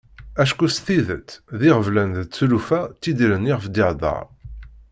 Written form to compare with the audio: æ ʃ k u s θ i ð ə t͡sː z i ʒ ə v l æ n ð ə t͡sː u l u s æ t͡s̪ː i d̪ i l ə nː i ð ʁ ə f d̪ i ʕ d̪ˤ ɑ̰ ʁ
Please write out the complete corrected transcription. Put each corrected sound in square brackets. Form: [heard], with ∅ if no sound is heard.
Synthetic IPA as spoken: æ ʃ k u s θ i ð ə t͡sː [ð] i [ʁ] ə v l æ n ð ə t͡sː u l u [f] æ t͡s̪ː i d̪ i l ə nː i [∅] ʁ ə f d̪ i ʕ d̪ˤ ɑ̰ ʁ